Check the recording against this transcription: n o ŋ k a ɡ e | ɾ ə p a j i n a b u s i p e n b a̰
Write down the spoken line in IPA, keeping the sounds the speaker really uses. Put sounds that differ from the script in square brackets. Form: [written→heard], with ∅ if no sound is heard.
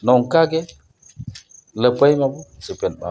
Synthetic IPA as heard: n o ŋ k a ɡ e | [ɾ→l] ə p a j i [n→m] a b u s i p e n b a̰